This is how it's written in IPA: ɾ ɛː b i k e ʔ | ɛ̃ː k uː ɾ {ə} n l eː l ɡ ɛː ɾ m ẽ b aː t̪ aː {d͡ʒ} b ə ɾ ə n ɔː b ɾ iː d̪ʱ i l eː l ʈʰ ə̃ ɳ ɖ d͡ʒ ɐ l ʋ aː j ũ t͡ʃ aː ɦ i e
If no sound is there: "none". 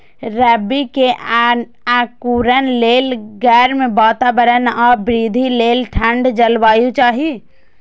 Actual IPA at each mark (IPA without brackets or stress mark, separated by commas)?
ə, none